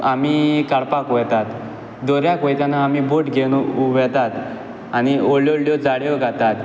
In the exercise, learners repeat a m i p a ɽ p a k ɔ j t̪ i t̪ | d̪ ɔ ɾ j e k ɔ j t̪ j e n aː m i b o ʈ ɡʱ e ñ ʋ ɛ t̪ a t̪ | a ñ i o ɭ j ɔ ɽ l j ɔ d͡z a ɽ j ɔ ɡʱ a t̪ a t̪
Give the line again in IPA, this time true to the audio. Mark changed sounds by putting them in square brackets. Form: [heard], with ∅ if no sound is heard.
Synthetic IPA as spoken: a m i [k] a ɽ p a k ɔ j t̪ [a] t̪ | d̪ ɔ ɾ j [a] k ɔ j t̪ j [a] n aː m i b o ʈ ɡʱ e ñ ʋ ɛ t̪ a t̪ | a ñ i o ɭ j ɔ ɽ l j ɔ d͡z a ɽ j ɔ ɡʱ a t̪ a t̪

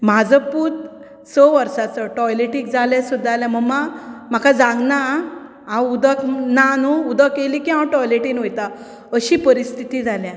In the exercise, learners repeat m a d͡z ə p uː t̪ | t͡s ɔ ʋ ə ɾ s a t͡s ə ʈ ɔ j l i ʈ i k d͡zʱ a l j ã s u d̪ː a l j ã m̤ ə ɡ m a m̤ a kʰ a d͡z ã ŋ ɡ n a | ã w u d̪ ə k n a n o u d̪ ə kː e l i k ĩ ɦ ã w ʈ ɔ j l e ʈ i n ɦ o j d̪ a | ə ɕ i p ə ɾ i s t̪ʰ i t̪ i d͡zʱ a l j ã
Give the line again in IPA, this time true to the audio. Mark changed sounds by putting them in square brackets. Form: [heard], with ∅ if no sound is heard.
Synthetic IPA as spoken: m a d͡z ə p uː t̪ | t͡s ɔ ʋ ə ɾ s a t͡s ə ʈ ɔ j l [e] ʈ i k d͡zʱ a l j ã s u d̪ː a l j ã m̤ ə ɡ m a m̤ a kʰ a d͡z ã ŋ ɡ n a | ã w u d̪ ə k n a n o u d̪ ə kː e l i k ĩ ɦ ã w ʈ ɔ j l e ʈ i n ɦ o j [t̪] a | ə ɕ i p ə ɾ i s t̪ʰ i t̪ i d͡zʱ a l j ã

